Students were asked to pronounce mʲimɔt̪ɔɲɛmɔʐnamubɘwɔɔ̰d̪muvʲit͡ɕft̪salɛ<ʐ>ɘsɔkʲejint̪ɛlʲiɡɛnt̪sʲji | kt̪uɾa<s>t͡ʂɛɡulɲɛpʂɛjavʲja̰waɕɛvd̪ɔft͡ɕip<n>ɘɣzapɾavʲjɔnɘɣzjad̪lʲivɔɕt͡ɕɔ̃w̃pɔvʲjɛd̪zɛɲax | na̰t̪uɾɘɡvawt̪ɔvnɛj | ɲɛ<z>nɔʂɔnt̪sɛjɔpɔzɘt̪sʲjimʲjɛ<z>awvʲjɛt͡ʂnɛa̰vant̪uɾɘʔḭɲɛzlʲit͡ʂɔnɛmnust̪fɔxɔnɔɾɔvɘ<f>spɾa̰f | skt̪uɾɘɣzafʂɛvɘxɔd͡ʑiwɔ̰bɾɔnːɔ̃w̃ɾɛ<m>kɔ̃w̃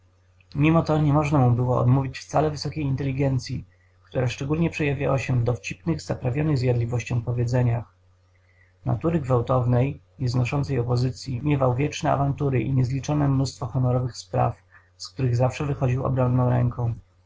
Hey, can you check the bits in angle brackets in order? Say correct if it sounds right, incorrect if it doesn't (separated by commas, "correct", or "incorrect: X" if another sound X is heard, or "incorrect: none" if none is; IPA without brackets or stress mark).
incorrect: v, incorrect: ʂ, correct, correct, incorrect: v, incorrect: x, incorrect: ŋ